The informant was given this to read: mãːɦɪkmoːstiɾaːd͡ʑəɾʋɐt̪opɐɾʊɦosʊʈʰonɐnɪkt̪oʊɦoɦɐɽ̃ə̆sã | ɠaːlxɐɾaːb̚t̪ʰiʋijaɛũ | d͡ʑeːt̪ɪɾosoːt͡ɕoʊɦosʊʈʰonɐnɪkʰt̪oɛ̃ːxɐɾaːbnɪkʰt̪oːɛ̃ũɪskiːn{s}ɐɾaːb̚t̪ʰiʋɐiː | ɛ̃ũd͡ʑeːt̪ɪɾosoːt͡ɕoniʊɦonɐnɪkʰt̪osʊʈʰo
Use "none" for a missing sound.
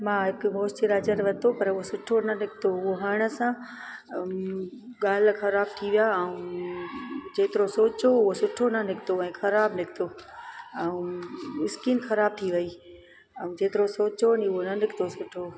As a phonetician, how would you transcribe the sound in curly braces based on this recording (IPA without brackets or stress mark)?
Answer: x